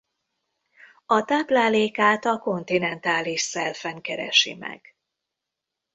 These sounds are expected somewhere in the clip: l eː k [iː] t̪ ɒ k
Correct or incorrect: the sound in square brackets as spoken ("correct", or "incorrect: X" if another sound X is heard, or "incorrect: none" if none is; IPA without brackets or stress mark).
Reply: incorrect: aː